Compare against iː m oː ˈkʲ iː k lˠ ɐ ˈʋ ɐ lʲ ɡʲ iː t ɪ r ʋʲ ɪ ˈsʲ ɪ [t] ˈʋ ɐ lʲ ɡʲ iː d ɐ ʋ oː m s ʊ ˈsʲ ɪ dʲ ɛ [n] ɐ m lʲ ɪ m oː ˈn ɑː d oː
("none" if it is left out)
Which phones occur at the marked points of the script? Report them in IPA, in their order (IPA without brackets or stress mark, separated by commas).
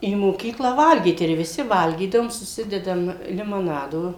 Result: none, d